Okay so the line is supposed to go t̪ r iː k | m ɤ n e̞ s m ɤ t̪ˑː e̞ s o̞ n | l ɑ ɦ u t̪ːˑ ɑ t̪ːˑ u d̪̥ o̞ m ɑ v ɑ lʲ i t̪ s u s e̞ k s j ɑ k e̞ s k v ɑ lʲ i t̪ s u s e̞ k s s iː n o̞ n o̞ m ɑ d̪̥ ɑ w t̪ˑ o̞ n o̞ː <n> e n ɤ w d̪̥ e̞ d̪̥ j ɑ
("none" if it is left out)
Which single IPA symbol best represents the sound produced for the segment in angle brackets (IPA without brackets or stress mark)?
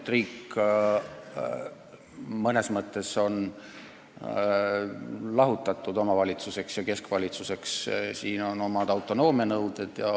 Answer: m